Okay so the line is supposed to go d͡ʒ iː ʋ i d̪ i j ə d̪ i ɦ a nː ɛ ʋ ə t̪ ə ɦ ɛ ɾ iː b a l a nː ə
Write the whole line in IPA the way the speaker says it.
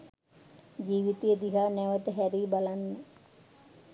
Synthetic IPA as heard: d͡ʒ iː ʋ i t̪ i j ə d̪ i ɦ a n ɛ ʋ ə t̪ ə ɦ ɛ ɾ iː b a l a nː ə